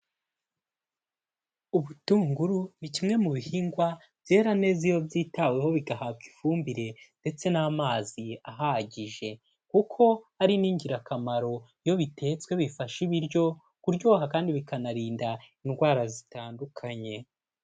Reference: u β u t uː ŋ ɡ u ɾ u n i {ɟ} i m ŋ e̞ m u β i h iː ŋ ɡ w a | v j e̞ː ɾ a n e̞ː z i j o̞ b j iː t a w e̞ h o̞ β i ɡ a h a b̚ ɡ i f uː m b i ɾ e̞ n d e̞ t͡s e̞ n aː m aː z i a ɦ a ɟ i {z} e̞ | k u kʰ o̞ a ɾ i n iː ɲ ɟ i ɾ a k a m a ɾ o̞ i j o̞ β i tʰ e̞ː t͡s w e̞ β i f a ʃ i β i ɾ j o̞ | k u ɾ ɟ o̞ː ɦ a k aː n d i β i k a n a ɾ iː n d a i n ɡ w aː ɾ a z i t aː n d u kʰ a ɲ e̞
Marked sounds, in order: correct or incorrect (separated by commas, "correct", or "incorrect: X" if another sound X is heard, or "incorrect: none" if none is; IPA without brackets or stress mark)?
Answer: incorrect: c, incorrect: ʒ